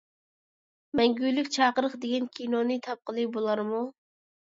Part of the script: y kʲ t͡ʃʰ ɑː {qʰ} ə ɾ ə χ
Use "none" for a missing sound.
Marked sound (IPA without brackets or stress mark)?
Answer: q